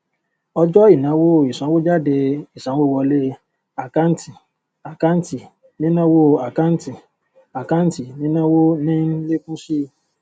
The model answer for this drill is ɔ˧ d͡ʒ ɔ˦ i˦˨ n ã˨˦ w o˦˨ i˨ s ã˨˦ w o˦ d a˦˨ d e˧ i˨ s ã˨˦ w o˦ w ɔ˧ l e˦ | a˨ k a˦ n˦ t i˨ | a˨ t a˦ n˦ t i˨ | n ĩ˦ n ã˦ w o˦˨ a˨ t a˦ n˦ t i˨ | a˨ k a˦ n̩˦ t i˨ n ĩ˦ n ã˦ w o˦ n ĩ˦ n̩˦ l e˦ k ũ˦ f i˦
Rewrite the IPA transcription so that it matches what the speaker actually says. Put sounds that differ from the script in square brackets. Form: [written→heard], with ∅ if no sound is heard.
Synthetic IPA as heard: ɔ˧ d͡ʒ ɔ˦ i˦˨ n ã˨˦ w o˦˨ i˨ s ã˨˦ w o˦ [d→d͡ʒ] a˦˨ d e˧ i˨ s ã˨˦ w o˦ w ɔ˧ l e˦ | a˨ k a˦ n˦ t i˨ | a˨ [t→k] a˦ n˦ t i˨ | n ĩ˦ n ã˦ w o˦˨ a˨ [t→k] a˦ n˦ t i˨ | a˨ k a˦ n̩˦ t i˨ n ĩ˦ n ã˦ w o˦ n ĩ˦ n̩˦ l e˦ k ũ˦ [f→ʃ] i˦